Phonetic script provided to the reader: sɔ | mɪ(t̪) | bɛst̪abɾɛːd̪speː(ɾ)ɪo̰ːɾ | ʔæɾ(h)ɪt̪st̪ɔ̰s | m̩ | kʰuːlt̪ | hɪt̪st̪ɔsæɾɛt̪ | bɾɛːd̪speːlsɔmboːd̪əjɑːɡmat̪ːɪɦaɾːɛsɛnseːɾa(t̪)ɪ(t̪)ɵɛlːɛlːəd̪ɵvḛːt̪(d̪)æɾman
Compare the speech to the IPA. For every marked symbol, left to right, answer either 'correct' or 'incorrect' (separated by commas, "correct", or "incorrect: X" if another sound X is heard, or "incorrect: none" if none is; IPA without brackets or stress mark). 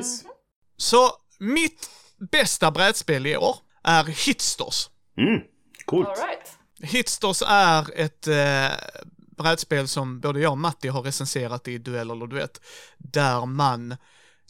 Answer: correct, incorrect: l, correct, correct, incorrect: d̪, correct